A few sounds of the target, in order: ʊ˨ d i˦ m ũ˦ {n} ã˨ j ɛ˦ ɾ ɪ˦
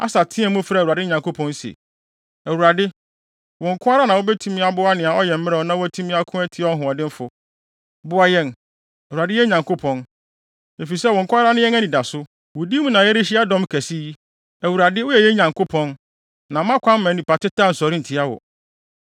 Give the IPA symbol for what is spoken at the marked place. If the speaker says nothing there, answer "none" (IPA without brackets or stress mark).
n